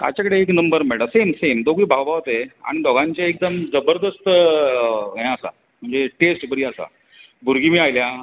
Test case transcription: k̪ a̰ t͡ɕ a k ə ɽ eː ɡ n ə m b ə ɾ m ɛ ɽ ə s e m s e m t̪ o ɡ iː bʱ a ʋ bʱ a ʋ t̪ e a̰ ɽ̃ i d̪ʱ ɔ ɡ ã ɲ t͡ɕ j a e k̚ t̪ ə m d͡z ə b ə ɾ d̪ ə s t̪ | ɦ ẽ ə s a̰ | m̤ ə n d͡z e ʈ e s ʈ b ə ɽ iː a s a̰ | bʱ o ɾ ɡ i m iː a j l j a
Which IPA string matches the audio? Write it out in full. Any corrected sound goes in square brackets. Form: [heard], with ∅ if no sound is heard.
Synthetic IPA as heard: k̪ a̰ t͡ɕ a k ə ɽ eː [k] n ə m b ə ɾ m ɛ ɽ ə s e m s e m [d̪] o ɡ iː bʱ a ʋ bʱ a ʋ t̪ e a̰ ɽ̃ i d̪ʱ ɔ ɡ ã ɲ t͡ɕ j a e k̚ [d̪] ə m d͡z ə b ə ɾ d̪ ə s t̪ | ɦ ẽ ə s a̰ | m̤ ə [ɳ] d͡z e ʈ e s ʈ b ə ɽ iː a s a̰ | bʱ [u] ɾ ɡ i m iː a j l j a